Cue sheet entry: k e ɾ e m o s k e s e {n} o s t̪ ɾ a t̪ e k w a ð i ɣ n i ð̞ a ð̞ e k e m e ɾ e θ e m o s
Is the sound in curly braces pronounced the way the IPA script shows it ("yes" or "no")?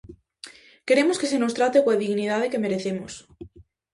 yes